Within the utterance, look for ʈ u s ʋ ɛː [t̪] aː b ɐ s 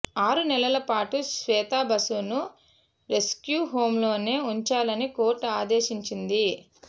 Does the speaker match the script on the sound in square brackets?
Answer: yes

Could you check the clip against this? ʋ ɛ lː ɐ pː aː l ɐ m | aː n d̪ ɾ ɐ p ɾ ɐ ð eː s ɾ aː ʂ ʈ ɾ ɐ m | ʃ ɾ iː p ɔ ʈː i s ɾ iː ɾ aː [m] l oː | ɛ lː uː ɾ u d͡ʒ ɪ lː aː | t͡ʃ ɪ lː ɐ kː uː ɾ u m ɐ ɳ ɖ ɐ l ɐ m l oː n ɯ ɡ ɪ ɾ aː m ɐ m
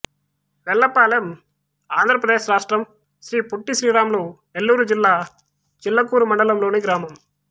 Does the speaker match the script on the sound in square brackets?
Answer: yes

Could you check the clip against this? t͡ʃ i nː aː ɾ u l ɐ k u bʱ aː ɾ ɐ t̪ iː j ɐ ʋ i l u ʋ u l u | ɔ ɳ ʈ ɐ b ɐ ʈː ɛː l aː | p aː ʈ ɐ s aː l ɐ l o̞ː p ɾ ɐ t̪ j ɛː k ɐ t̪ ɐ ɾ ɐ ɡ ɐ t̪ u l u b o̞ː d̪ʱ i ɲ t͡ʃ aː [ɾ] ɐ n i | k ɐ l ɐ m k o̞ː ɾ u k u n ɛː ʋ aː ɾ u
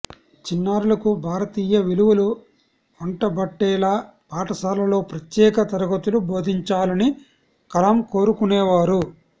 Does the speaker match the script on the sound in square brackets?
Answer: no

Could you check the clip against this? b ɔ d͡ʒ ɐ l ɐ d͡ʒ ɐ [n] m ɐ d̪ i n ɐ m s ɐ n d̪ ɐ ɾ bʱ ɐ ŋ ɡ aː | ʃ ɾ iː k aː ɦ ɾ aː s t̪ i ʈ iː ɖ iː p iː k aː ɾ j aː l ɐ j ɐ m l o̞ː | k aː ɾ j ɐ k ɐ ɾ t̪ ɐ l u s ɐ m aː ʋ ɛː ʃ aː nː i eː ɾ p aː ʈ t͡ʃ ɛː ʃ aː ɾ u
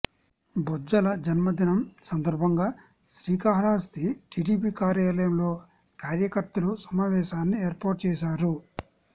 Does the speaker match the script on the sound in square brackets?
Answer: yes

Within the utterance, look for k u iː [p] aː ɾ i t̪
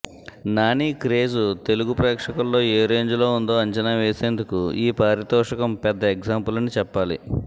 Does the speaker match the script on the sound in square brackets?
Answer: yes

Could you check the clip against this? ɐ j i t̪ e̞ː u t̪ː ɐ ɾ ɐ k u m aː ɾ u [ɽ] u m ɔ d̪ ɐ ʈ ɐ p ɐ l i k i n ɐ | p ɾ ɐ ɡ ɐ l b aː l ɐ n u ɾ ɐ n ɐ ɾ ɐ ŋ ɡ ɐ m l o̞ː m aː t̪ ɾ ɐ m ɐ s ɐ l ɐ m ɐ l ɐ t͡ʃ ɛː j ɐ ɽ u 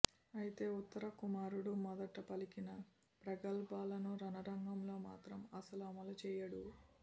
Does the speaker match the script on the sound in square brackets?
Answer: yes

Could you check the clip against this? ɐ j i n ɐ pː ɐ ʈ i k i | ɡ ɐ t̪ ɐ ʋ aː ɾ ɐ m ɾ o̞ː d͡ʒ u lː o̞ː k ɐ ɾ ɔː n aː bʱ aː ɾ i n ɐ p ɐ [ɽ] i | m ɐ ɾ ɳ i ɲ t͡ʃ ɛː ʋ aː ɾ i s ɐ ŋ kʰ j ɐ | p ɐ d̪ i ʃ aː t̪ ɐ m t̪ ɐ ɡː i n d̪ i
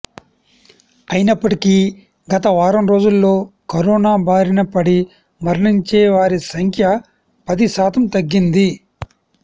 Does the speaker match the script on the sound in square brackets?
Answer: yes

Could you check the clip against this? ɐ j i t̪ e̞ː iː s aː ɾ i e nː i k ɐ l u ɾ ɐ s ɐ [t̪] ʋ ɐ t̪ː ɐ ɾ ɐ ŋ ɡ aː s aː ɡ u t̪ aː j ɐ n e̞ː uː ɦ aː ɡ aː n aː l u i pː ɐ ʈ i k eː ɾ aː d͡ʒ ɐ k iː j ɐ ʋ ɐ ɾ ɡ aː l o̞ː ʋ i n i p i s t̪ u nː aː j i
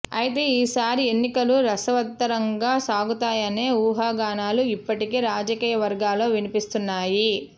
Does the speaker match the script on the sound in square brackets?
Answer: no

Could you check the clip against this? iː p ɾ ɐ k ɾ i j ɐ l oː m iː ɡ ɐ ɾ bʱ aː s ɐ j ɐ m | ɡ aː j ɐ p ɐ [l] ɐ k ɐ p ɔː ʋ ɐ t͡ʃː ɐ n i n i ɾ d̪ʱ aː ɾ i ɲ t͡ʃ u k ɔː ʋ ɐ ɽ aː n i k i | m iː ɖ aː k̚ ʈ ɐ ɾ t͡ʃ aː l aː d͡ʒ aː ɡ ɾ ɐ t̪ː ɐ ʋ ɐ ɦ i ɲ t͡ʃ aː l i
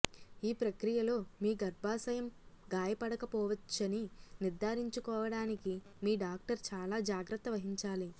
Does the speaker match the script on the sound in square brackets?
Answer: no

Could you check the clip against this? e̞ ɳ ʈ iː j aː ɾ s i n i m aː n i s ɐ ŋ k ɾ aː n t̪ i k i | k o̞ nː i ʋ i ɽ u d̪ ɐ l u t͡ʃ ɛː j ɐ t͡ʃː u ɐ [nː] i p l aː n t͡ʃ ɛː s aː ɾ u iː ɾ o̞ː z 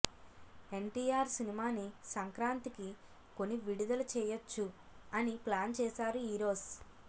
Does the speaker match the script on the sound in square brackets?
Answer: no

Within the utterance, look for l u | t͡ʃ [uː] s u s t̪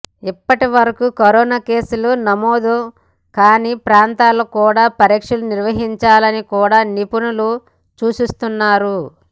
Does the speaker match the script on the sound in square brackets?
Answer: yes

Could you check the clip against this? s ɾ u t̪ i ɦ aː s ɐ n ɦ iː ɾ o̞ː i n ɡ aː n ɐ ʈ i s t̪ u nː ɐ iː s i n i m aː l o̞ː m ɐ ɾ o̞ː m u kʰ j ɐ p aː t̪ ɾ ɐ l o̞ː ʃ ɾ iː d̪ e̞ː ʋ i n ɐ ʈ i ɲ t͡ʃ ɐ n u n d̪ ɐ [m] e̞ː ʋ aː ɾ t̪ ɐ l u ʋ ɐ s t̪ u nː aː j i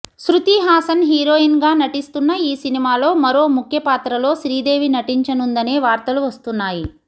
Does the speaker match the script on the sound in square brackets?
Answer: no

